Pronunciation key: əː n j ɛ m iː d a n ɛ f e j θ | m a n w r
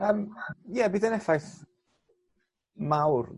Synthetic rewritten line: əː m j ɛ b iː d ə n ɛ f a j θ | m a w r